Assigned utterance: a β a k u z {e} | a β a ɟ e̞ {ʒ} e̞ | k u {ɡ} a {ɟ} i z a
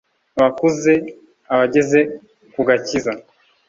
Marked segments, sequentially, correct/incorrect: correct, incorrect: z, correct, incorrect: c

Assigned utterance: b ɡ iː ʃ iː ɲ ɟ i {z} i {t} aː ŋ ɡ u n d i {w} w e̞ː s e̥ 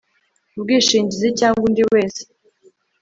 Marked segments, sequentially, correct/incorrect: correct, incorrect: c, correct

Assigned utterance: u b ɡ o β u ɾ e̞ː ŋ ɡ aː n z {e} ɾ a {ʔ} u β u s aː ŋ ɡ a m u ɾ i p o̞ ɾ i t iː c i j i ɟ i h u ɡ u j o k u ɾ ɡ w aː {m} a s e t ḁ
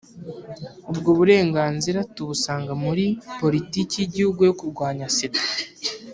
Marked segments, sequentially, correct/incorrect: incorrect: i, incorrect: t, incorrect: ɲ

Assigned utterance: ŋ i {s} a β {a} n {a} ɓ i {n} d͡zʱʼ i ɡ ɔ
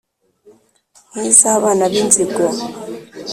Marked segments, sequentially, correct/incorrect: correct, correct, correct, correct

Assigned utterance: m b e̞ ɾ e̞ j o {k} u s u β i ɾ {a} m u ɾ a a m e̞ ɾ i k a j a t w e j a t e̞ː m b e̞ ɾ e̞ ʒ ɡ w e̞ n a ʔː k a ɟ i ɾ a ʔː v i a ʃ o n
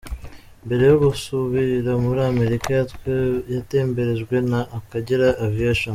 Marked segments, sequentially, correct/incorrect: incorrect: ɡ, correct

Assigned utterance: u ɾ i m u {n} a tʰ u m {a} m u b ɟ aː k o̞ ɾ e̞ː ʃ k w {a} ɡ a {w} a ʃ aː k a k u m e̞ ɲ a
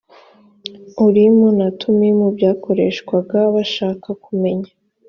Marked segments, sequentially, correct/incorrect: correct, incorrect: i, correct, incorrect: β

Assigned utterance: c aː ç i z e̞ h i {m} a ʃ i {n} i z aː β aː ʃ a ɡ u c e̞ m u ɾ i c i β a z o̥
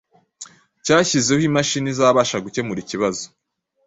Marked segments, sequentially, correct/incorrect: correct, correct

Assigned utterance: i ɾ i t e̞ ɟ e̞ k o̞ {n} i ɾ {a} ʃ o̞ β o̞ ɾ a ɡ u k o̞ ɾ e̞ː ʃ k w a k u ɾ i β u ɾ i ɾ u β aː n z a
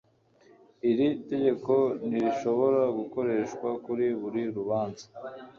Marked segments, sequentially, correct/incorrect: correct, incorrect: i

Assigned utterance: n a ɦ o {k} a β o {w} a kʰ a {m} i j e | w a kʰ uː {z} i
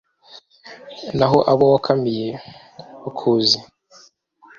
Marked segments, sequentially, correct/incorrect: incorrect: ʔ, correct, correct, correct

